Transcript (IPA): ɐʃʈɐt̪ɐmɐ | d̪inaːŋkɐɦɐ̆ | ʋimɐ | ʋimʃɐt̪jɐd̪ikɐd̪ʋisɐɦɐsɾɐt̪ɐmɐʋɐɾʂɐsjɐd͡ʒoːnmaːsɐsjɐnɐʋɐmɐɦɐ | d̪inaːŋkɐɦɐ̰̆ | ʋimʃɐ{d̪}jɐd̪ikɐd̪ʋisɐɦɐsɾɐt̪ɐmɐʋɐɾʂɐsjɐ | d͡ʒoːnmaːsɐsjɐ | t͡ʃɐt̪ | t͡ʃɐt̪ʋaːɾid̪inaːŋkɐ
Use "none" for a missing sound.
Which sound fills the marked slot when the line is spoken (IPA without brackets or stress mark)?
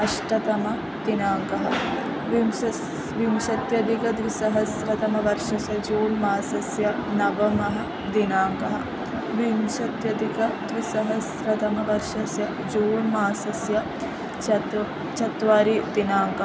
t̪